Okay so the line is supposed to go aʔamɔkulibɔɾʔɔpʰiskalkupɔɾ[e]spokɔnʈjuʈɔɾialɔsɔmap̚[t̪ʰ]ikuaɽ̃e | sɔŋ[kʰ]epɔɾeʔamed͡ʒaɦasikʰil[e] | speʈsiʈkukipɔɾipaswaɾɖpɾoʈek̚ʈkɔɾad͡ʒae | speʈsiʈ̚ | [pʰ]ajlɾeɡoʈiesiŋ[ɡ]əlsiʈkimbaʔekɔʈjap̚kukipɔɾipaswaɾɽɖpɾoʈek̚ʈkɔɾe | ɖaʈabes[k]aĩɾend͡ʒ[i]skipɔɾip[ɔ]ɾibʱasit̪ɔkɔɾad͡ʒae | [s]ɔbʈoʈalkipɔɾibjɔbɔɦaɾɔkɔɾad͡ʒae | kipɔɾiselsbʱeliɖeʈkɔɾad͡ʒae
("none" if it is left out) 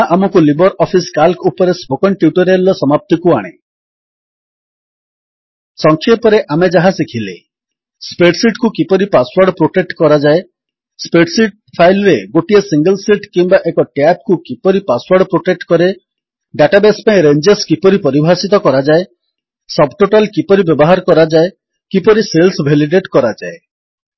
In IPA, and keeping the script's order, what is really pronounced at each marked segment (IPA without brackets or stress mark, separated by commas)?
e, t̪, kʰ, e, pʰ, ɡ, p, e, ɔ, s